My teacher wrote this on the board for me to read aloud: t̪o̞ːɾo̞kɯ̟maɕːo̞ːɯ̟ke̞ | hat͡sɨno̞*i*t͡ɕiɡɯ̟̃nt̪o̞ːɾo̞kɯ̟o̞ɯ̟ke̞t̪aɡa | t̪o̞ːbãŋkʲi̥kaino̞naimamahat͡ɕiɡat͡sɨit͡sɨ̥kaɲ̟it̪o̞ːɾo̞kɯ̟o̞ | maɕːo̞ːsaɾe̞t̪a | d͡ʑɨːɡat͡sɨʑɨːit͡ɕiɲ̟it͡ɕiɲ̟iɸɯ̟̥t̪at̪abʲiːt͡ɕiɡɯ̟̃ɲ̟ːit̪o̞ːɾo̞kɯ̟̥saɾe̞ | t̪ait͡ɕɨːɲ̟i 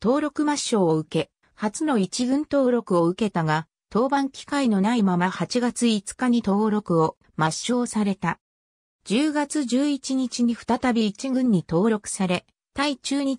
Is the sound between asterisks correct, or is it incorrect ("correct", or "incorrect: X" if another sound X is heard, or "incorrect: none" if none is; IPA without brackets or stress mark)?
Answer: correct